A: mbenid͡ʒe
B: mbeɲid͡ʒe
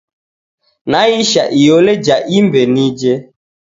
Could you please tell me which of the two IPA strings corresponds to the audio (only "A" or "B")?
A